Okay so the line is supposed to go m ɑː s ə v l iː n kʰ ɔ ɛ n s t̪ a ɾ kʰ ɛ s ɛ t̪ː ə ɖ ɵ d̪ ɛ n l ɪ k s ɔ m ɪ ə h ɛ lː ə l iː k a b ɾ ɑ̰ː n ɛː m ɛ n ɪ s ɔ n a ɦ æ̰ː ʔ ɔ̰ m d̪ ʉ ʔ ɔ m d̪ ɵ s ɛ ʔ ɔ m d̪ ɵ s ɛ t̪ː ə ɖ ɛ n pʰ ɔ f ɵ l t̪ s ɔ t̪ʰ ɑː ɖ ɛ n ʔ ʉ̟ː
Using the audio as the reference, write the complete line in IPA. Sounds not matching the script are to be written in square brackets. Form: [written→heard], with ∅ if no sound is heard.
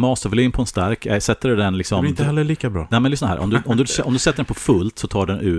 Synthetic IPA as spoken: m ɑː s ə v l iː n [kʰ→pʰ] ɔ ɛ n s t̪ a ɾ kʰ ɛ s ɛ t̪ː ə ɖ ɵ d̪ ɛ n l ɪ k s ɔ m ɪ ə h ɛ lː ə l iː k a b ɾ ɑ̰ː n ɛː m ɛ n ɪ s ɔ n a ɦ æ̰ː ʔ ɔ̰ m d̪ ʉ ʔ ɔ m d̪ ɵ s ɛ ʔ ɔ m d̪ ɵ s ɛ t̪ː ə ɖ ɛ n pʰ ɔ f ɵ l t̪ s ɔ t̪ʰ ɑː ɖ ɛ n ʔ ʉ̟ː